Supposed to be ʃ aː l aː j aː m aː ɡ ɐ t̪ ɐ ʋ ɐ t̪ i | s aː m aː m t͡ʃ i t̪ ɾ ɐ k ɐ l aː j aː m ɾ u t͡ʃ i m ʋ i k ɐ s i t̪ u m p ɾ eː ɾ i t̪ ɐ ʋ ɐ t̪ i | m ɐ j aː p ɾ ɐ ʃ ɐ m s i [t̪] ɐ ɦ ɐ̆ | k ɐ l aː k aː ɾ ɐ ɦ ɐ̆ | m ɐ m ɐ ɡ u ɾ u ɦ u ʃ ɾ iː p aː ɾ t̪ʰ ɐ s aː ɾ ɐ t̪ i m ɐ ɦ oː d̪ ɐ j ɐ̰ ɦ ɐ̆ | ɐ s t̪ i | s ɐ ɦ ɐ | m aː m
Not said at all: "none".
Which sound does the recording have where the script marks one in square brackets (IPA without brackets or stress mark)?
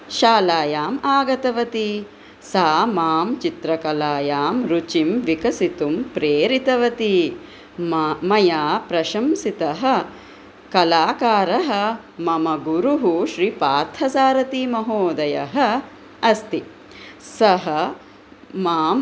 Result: t̪